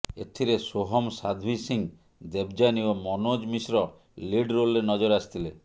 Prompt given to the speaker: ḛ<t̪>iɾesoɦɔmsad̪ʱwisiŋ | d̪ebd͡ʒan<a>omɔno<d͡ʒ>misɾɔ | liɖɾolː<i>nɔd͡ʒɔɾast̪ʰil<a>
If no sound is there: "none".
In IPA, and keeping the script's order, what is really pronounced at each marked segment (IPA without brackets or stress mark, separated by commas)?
t̪ʰ, i, d͡ʒ, e, e